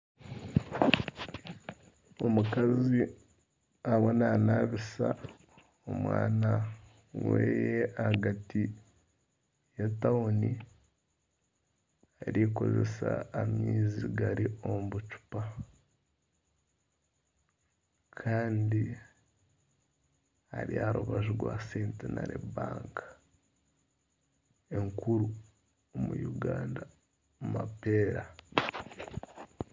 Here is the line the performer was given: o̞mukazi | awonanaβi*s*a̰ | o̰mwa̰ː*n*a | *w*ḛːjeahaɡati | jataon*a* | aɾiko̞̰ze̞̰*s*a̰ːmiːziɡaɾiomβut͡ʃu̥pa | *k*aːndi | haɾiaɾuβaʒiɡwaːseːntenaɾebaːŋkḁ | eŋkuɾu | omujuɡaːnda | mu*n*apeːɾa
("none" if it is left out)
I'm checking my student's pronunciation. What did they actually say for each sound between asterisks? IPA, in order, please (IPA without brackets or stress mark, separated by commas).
s, n, w, i, s, kʰ, m